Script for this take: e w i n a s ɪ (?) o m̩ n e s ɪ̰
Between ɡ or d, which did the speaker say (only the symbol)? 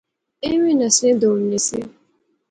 d